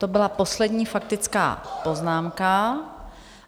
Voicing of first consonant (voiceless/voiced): voiceless